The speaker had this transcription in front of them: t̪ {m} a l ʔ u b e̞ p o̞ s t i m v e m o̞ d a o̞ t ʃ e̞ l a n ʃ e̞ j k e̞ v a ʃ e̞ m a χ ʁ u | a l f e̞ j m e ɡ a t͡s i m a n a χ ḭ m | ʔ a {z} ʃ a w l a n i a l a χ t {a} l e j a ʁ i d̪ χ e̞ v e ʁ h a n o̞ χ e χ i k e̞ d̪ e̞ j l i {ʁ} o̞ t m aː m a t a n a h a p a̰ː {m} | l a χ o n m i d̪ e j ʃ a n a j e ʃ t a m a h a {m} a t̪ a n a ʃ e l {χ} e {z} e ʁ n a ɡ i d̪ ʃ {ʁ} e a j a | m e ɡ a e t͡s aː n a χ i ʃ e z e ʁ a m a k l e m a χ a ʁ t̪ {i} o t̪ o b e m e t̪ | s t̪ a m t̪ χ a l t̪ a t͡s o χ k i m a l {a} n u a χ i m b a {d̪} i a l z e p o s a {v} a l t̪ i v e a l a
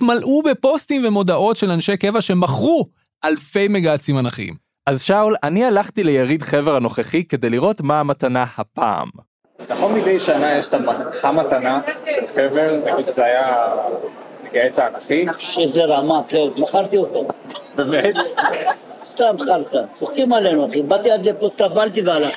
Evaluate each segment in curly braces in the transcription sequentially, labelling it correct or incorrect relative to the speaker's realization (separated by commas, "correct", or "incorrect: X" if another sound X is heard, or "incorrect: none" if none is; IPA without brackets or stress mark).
correct, correct, incorrect: i, correct, correct, correct, correct, incorrect: v, incorrect: z, correct, incorrect: e, incorrect: t̪, correct